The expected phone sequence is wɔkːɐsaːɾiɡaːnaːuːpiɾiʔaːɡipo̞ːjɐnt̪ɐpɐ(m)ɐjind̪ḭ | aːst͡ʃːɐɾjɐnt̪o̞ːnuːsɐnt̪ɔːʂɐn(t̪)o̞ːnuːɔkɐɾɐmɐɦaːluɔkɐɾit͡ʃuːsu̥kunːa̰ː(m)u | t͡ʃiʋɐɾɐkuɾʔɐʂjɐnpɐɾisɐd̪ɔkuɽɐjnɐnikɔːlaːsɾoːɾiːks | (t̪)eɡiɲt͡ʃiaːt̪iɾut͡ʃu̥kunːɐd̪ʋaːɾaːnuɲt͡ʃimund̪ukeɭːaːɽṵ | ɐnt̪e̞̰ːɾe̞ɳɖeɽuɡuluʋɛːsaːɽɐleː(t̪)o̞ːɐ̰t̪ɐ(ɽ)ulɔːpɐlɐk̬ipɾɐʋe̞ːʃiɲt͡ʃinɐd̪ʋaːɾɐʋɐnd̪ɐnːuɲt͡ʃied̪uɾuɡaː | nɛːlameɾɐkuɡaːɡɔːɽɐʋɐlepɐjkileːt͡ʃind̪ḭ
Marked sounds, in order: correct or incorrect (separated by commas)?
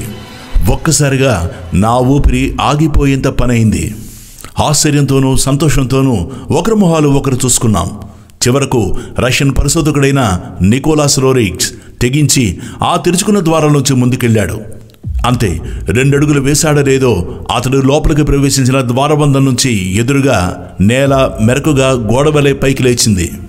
incorrect, correct, correct, correct, incorrect, correct